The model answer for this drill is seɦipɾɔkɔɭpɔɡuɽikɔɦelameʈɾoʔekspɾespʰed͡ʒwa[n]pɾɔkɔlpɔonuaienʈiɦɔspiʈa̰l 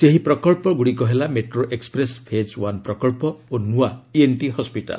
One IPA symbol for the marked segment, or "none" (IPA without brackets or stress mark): n